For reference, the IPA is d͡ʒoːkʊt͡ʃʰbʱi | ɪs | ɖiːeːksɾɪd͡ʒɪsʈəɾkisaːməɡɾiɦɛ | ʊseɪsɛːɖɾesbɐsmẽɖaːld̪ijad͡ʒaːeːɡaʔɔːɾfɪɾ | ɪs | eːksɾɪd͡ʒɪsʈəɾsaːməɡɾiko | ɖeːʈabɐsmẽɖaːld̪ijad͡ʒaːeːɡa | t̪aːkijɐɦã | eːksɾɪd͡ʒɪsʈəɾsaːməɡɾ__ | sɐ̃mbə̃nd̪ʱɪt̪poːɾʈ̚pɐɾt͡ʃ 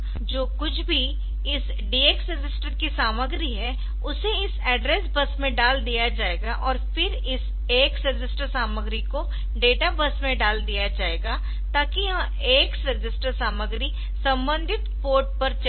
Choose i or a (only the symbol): i